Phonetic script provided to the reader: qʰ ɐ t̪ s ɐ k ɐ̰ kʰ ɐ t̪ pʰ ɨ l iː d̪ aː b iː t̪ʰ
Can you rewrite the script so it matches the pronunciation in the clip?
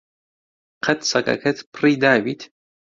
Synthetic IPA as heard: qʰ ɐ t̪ s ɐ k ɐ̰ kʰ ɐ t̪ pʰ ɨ r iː d̪ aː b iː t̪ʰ